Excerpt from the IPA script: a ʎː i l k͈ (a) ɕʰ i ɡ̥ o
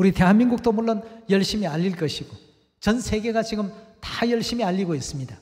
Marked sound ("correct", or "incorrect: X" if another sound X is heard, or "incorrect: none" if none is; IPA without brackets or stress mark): incorrect: ʌ